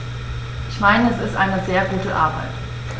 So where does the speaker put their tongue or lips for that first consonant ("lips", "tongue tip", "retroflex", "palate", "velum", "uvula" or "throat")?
throat